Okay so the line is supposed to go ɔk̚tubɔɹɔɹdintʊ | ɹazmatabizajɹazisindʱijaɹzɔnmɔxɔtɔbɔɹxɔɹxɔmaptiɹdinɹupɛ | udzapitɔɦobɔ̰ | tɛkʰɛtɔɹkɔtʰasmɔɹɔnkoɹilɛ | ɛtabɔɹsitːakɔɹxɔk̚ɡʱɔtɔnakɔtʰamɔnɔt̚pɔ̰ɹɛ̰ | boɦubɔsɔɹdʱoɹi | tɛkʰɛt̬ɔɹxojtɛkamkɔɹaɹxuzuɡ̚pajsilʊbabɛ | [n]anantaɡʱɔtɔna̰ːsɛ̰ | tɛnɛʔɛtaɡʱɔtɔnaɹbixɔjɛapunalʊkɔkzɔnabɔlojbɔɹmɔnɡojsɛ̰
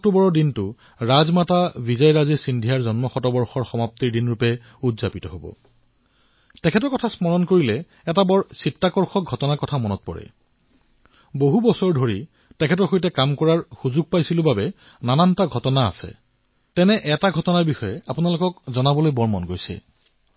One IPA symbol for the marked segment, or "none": n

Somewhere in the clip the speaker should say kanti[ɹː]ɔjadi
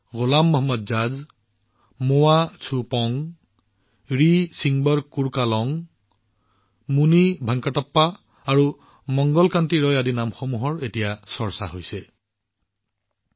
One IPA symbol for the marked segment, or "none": ɹ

